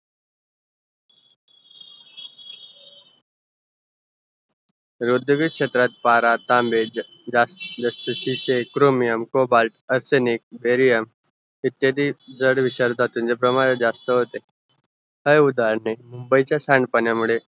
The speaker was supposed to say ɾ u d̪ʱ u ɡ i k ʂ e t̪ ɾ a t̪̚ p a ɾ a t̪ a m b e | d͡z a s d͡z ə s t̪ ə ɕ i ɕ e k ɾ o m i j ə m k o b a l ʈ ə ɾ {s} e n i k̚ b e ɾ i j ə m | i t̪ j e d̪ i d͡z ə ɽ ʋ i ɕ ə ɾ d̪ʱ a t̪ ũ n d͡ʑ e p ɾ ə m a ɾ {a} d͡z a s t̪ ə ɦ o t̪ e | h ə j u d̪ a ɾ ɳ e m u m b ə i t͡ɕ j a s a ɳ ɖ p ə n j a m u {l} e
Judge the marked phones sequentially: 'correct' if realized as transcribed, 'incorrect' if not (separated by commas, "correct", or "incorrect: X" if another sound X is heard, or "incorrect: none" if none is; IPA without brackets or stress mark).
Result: correct, incorrect: e, incorrect: ɭ